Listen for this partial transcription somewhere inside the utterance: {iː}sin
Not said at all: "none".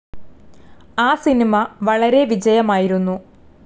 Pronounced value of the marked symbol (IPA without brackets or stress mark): aː